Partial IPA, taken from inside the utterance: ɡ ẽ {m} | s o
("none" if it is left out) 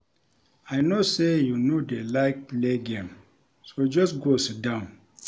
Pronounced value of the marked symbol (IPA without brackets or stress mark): m